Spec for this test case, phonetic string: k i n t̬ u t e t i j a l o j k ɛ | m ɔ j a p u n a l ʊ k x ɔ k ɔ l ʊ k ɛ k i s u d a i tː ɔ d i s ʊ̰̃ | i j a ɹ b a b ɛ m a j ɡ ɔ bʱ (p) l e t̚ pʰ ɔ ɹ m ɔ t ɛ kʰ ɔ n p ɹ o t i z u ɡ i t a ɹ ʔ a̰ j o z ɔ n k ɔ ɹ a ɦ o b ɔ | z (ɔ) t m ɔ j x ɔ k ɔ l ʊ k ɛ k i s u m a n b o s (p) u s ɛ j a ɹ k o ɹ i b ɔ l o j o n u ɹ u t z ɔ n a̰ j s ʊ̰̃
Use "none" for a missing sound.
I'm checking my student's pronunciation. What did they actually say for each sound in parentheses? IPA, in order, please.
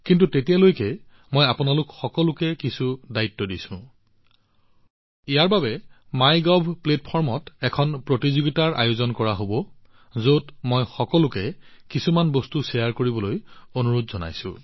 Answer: p, o, t

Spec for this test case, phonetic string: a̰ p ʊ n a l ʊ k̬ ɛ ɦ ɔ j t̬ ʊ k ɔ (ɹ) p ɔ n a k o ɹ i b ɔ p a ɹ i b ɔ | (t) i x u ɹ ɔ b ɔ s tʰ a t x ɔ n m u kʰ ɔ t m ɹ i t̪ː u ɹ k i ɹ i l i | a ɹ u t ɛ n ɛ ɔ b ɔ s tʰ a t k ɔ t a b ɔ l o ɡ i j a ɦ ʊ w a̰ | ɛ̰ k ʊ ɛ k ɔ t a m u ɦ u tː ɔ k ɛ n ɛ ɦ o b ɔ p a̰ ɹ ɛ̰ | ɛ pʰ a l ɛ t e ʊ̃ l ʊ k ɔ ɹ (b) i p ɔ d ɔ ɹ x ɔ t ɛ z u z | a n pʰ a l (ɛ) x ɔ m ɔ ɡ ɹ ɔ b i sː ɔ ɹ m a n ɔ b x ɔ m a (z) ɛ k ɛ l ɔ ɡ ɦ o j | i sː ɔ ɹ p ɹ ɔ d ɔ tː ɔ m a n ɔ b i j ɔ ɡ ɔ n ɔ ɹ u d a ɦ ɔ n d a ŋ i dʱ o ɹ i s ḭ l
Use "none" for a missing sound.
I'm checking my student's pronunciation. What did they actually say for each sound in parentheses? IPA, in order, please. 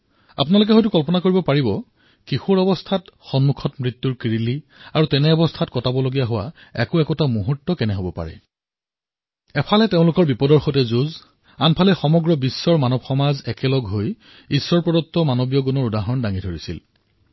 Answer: l, k, b, ɛ, z

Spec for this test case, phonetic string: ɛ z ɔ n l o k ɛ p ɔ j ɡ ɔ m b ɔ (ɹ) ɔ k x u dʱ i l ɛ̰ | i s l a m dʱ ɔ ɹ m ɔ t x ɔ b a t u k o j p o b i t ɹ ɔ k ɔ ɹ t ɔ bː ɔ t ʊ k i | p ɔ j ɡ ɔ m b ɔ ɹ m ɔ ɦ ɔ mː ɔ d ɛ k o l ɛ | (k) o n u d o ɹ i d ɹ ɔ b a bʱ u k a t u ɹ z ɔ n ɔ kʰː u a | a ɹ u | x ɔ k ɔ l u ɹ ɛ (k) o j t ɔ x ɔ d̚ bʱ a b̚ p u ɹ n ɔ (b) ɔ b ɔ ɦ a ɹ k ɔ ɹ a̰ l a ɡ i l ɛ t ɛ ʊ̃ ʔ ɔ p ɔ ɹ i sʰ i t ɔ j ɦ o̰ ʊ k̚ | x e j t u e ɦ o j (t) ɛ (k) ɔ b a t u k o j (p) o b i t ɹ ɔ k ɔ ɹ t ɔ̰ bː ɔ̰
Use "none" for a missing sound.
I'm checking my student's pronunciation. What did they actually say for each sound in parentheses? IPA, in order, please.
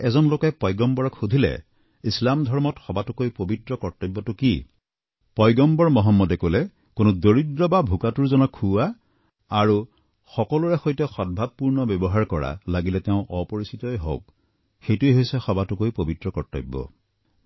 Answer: ɹ, k, x, b, s, x, p

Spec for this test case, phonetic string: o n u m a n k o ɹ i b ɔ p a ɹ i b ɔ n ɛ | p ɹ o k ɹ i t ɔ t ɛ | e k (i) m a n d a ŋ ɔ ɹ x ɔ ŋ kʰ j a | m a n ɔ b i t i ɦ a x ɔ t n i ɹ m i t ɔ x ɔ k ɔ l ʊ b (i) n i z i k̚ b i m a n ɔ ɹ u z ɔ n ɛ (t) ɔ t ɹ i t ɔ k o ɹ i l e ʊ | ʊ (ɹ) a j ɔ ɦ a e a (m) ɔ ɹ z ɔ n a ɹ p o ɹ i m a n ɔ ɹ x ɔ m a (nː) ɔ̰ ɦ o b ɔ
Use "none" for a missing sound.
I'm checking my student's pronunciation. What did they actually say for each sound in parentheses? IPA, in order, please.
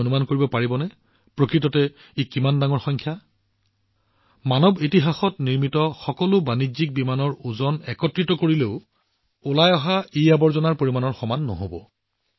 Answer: i, a, k, l, b, nː

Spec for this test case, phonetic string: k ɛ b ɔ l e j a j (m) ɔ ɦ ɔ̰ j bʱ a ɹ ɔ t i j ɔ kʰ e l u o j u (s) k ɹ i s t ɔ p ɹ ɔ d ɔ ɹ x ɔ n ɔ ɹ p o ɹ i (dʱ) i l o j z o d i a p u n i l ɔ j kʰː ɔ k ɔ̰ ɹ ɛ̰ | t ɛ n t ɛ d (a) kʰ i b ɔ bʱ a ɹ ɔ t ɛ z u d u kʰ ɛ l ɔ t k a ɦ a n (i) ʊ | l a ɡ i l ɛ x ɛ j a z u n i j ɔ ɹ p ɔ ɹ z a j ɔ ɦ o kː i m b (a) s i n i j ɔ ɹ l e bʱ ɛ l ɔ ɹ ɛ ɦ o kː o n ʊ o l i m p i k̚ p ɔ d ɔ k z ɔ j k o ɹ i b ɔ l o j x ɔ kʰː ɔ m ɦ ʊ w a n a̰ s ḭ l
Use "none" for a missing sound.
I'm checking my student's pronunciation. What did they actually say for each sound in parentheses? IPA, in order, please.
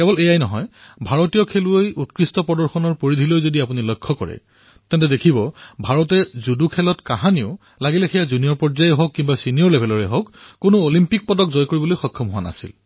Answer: n, t, dʱ, e, i, a

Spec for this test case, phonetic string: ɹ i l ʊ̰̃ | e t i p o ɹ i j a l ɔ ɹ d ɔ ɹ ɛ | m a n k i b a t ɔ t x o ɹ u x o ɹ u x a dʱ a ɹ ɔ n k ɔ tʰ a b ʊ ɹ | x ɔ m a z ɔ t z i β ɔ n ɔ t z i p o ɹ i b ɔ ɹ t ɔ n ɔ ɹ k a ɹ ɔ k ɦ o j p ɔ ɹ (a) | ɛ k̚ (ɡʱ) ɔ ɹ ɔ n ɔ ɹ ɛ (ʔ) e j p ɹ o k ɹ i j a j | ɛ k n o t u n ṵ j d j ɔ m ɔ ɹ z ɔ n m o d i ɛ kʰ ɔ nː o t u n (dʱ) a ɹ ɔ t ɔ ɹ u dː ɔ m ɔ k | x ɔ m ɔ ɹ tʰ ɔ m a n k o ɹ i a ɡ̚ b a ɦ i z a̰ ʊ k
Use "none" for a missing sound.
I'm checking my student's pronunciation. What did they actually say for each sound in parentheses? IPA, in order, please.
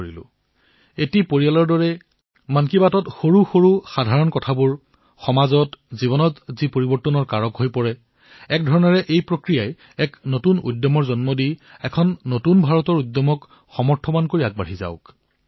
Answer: ɛ, dʱ, ʔ, bʱ

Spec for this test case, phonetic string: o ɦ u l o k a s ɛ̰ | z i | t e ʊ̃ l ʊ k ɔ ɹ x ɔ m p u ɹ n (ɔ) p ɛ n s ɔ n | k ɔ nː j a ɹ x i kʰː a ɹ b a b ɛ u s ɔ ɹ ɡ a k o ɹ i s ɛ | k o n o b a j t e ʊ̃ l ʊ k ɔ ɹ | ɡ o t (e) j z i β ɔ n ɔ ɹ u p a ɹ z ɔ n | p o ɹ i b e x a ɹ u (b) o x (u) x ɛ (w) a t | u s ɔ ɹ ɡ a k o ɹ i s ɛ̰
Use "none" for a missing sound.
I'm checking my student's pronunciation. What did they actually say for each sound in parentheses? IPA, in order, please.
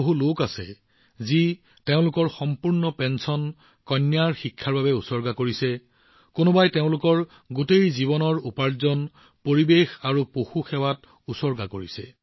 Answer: ɔ, e, p, u, w

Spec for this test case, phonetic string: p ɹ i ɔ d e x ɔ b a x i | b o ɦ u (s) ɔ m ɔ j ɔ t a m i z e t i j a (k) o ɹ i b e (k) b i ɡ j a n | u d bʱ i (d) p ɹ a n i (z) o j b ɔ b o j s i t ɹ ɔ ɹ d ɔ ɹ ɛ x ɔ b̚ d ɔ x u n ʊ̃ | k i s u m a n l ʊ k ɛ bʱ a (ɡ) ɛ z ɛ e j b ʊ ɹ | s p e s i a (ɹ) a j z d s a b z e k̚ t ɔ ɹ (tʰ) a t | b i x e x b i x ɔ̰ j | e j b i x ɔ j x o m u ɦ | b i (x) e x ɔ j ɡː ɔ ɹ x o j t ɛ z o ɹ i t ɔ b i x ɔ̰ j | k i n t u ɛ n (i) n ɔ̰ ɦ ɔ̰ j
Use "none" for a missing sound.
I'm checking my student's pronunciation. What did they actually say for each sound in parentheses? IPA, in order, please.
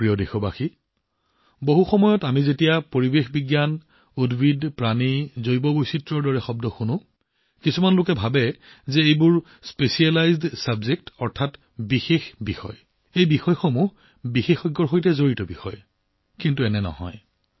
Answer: x, p, x, d, z, b, l, tʰ, x, ɛ

